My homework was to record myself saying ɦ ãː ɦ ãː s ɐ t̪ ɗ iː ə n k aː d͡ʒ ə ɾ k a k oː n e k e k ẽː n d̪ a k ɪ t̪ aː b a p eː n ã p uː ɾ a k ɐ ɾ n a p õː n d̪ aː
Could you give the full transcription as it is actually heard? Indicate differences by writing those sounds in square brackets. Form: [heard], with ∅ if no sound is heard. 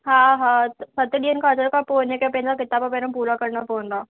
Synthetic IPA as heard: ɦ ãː ɦ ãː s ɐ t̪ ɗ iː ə n k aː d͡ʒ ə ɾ k a [p] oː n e k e [p] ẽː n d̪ a k ɪ t̪ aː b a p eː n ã p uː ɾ a k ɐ ɾ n a p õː n d̪ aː